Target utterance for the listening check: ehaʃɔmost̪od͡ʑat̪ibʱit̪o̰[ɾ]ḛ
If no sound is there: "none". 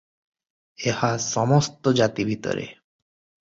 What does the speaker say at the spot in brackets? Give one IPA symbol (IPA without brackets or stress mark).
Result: ɾ